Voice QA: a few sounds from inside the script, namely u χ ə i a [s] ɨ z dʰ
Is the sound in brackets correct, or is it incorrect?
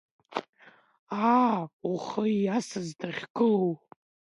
correct